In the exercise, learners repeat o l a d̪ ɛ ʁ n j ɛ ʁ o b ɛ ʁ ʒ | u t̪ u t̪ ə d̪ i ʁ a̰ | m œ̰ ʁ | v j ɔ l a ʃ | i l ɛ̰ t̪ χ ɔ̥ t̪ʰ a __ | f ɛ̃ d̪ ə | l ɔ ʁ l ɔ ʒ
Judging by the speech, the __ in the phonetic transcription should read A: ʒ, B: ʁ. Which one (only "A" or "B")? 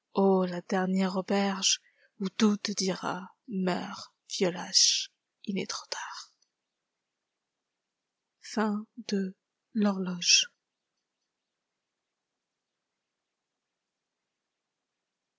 B